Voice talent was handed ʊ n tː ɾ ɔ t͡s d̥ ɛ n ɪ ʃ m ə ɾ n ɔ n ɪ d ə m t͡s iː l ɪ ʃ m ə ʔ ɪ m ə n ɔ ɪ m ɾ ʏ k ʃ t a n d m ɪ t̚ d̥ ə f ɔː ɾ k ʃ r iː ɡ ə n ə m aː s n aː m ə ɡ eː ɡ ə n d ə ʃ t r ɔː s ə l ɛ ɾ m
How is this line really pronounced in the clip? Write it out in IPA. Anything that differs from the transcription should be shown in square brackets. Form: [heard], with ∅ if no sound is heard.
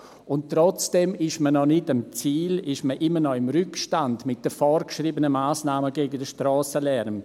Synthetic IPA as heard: ʊ n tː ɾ ɔ t͡s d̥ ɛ [m] ɪ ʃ m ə [∅] n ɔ n ɪ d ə m t͡s iː l ɪ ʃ m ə ʔ ɪ m ə n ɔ ɪ m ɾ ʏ k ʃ t a n d m ɪ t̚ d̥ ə f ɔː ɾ k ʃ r iː [b] ə n ə m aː s n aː m ə ɡ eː ɡ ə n d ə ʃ t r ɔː s ə l ɛ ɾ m

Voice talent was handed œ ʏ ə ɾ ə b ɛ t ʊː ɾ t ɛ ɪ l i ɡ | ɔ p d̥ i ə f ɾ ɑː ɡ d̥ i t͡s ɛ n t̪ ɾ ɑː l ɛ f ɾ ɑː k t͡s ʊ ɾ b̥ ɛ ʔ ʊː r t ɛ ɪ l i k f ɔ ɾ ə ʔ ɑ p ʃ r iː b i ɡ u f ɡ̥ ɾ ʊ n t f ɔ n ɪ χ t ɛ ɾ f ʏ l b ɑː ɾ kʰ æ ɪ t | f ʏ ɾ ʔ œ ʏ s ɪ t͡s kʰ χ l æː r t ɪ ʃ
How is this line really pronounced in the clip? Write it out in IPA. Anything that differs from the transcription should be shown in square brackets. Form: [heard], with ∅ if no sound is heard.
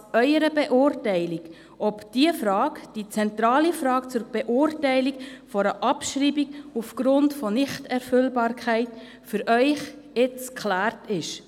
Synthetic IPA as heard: œ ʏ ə ɾ ə b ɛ [ʔ] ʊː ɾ t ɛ ɪ l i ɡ | ɔ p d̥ i ə f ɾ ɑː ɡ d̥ i t͡s ɛ n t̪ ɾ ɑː l [i] f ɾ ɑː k t͡s ʊ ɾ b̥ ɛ ʔ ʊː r t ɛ ɪ l i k f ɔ ɾ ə ʔ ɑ p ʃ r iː b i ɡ u f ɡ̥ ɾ ʊ n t f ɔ n ɪ χ t ɛ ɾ f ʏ l b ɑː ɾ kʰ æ ɪ t | f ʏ ɾ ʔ œ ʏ [χ] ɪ t͡s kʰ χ l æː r t ɪ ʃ

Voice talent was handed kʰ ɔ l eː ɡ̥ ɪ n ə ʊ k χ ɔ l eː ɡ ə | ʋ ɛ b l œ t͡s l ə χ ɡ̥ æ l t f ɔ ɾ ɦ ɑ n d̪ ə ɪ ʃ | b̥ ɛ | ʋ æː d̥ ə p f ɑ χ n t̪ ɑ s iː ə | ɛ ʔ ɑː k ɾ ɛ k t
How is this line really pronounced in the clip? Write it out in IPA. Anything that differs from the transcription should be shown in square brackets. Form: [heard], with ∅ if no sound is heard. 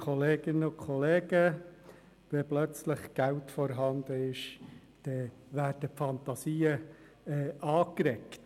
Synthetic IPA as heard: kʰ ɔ l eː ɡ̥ ɪ n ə ʊ k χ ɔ l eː ɡ ə | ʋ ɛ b l œ t͡s l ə χ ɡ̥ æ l t f ɔ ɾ ɦ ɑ n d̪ ə ɪ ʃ | [d̥] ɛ | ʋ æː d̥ ə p f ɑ [∅] n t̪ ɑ s iː ə | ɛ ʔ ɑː k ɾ ɛ k t

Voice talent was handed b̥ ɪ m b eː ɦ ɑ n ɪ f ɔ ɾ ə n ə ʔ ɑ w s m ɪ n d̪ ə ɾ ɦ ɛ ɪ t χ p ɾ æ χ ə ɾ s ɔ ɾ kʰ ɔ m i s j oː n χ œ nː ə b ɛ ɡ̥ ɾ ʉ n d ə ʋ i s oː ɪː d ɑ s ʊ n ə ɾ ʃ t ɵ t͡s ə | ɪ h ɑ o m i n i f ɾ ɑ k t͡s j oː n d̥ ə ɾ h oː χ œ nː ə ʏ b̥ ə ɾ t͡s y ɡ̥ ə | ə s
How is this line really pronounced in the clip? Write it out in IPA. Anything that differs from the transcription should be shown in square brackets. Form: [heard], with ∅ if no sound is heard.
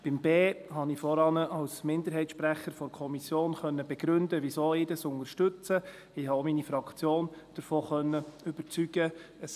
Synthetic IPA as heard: b̥ ɪ m b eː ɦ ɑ n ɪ f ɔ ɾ [ɑ] n ə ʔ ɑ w s m ɪ n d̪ ə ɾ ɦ ɛ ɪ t [ʃ] p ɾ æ χ ə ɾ [f] ɔ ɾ kʰ ɔ m i s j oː n χ œ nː ə b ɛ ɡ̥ ɾ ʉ n d ə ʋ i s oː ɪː d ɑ s ʊ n ə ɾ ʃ t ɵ t͡s ə | ɪ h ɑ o m i n i f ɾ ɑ k t͡s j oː n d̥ ə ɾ [f] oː χ œ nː ə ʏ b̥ ə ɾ t͡s y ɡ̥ ə | ə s

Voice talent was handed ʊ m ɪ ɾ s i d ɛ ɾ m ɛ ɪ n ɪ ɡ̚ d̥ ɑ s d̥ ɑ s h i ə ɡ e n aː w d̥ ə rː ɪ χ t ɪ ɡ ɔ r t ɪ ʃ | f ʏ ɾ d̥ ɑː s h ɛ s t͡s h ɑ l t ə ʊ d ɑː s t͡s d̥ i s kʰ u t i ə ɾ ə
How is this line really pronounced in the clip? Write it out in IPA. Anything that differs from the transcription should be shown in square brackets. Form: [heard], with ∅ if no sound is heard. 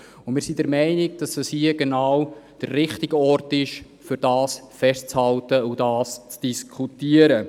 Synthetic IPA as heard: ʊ m ɪ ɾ s i d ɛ ɾ m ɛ ɪ n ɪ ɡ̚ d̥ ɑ s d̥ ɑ s h i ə ɡ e n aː w d̥ ə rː ɪ χ t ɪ ɡ ɔ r t ɪ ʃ | f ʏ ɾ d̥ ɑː s [f] ɛ s t͡s h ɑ l t ə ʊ d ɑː s t͡s d̥ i s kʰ u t i ə ɾ ə

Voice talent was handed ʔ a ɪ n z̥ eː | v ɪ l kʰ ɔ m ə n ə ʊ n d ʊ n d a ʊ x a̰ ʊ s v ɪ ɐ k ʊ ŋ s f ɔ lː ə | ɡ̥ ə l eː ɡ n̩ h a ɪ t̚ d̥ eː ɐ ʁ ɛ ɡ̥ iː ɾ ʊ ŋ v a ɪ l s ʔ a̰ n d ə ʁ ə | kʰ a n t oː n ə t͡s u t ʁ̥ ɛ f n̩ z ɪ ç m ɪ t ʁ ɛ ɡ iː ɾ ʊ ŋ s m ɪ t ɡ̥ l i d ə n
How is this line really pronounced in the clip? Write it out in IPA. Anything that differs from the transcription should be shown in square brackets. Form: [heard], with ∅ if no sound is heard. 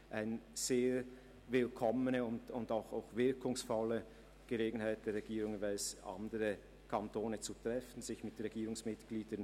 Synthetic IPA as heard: ʔ a ɪ n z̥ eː | v ɪ l kʰ ɔ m ə n ə ʊ n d ʊ n d a ʊ x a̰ ʊ [x] v ɪ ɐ k ʊ ŋ s f ɔ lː ə | ɡ̥ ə l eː ɡ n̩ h a ɪ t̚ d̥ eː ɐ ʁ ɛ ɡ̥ iː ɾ ʊ ŋ v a ɪ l s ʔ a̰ n d ə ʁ ə | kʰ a n t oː n ə t͡s u t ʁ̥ ɛ f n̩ z ɪ ç m ɪ t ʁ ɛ ɡ iː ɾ ʊ ŋ s m ɪ t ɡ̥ l [iː] d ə n

